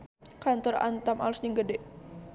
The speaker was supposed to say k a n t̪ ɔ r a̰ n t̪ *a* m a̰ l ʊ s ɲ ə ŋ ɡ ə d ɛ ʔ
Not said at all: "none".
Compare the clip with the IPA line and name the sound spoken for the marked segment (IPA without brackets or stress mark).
a